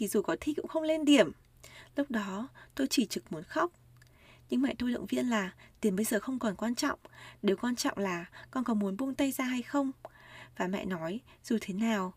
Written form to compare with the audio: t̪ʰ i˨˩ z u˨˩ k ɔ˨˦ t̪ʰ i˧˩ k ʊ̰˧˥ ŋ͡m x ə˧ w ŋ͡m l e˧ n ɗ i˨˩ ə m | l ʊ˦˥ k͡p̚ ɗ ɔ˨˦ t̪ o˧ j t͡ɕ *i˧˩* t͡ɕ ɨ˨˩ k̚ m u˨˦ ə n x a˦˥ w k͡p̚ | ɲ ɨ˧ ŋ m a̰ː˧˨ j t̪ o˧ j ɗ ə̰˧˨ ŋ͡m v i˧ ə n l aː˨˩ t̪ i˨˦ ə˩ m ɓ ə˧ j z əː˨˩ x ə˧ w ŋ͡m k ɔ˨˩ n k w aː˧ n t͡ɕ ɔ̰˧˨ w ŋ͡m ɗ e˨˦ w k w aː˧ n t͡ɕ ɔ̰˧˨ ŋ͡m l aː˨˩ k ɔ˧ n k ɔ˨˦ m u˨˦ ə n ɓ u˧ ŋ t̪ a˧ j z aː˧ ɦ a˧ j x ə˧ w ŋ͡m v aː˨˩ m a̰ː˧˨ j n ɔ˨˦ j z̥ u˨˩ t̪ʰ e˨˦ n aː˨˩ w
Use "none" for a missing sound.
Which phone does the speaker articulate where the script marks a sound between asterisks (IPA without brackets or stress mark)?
i˧˩